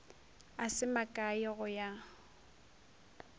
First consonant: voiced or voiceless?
voiceless